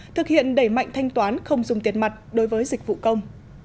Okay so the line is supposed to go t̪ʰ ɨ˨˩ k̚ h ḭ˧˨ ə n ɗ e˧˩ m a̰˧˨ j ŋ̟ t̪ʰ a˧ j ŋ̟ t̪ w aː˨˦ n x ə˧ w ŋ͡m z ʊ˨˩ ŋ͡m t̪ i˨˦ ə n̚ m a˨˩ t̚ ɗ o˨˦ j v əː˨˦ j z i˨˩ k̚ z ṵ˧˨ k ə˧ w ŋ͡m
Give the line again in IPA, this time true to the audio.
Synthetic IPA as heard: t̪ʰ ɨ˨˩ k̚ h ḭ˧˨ ə n ɗ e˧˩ m a̰˧˨ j ŋ̟ t̪ʰ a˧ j ŋ̟ t̪ w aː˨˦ n x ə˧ w ŋ͡m z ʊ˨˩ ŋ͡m t̪ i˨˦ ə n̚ m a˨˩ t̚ ɗ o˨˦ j v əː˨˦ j z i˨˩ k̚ v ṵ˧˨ k ə˧ w ŋ͡m